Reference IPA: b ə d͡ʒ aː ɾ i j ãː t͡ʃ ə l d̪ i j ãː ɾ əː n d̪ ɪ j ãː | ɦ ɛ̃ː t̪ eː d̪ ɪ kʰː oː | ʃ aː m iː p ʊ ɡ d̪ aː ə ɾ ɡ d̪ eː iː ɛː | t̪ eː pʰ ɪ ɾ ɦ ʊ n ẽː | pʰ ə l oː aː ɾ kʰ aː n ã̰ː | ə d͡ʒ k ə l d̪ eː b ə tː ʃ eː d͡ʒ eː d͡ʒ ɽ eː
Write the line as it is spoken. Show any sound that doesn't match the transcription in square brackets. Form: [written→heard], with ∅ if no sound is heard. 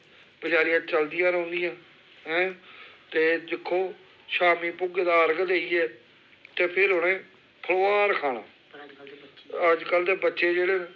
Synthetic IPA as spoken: b ə d͡ʒ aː ɾ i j ãː t͡ʃ ə l d̪ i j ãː ɾ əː n d̪ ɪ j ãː | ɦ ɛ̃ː t̪ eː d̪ ɪ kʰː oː | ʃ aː m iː p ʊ ɡ d̪ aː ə ɾ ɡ d̪ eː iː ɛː | t̪ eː pʰ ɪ ɾ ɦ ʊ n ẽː | pʰ ə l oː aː ɾ kʰ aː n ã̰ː | ə d͡ʒ k ə l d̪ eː b ə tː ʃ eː d͡ʒ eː [d͡ʒ→∅] ɽ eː